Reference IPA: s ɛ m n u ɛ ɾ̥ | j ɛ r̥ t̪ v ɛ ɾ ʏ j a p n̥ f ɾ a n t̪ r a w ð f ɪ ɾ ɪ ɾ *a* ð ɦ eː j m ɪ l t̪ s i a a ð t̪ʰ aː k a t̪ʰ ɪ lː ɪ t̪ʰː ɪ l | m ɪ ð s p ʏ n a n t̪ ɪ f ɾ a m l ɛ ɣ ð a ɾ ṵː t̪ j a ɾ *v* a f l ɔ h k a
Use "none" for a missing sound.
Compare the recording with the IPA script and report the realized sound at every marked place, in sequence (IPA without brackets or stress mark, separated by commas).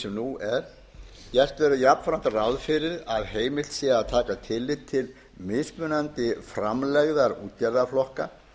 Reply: a, ð